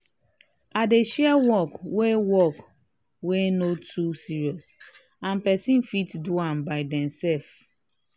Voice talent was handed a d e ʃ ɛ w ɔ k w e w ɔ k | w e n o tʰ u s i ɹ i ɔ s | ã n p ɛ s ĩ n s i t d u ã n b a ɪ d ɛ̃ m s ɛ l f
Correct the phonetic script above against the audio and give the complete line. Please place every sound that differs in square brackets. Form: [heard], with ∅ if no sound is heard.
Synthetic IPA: a d e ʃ ɛ w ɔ k w e w ɔ k | w e n o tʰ u s i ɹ i ɔ s | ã n p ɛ s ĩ n [f] i t d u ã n b a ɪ d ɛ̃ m s ɛ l f